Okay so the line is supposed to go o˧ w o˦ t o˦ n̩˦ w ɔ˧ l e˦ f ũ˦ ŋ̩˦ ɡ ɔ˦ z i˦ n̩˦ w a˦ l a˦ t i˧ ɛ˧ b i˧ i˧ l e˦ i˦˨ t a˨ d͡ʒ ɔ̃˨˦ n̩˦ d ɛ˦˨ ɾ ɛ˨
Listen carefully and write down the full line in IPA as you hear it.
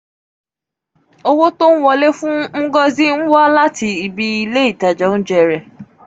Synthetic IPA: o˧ w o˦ t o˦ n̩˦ w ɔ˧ l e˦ f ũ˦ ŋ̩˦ ɡ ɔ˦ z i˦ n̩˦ w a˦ l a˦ t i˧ i˧ b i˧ i˧ l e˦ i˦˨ t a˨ d͡ʒ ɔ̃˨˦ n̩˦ d͡ʒ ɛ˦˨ ɾ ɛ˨